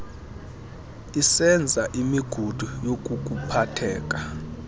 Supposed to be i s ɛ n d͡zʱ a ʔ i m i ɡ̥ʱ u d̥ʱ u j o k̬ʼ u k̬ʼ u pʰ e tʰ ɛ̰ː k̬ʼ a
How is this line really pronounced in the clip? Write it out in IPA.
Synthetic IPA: i s ɛ n d͡zʱ a ʔ i m i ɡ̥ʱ u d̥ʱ u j o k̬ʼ u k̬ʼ u pʰ a tʰ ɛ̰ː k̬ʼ a